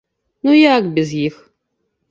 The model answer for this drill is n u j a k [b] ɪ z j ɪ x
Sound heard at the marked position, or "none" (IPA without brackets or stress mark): b